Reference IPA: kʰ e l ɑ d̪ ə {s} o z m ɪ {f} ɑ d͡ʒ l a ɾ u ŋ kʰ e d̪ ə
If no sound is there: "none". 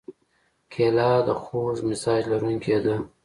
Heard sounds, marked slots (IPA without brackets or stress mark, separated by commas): x, s